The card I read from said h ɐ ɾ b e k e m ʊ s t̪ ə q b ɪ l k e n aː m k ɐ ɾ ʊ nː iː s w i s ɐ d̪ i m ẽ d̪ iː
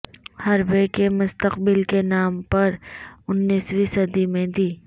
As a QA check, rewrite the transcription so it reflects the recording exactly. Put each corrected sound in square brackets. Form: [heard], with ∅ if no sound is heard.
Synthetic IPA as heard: h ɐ ɾ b e k e m ʊ s t̪ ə q b ɪ l k e n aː m [p] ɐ ɾ ʊ nː iː s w i s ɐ d̪ i m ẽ d̪ iː